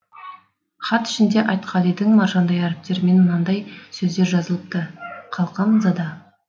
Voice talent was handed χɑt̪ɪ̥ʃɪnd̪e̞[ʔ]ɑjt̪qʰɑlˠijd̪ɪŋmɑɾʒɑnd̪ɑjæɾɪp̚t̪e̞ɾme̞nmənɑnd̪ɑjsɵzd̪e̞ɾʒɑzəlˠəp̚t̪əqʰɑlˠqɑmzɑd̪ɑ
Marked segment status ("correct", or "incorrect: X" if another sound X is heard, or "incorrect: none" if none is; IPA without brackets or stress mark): correct